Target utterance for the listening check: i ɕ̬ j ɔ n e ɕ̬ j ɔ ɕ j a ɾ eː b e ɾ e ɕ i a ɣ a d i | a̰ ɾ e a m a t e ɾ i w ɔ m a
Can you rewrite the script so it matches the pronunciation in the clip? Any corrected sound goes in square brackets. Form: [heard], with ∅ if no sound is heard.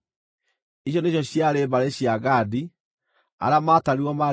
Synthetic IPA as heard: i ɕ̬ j ɔ n e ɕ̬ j ɔ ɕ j a ɾ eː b [a] ɾ e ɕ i a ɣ a d i | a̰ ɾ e a m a t [a] ɾ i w ɔ m a

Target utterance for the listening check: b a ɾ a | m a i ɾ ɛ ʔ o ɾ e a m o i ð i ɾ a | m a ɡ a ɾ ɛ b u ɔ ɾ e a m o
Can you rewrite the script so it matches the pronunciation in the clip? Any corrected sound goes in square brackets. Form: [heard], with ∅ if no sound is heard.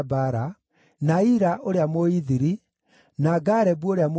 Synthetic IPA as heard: b a ɾ a | [n] a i ɾ [a] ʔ o ɾ e a m o i ð i ɾ [i] | [n] a ɡ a ɾ ɛ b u [o] ɾ e a m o

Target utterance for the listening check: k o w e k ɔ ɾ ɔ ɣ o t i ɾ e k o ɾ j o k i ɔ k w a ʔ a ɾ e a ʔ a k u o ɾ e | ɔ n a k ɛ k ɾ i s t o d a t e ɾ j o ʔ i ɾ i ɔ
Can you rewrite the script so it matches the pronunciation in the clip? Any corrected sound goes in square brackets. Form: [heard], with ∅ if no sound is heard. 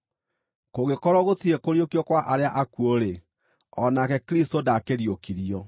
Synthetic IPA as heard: k o [ɣ] e k ɔ ɾ ɔ ɣ o t i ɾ e k o ɾ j o k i ɔ k w a ʔ a ɾ e a ʔ a k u o ɾ e | ɔ n a k ɛ k ɾ i s t o d a [k] e ɾ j o [k] i ɾ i ɔ

